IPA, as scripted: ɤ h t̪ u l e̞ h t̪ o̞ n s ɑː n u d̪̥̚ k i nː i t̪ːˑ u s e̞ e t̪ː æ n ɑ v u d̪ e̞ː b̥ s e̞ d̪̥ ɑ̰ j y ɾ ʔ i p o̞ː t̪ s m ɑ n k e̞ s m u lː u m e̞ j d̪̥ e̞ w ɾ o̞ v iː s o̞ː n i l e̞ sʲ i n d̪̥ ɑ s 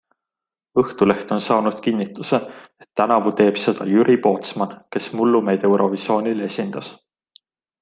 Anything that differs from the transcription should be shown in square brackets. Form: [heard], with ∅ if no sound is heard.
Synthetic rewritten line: ɤ h t̪ u l e̞ h t̪ o̞ n s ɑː n u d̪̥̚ k i nː i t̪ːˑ u s e̞ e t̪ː æ n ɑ v u [t̪] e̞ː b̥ s e̞ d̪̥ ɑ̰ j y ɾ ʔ i p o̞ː t̪ s m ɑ n k e̞ s m u lː u m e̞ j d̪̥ e̞ w ɾ o̞ v [i] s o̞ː n i l e̞ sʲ i n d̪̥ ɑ s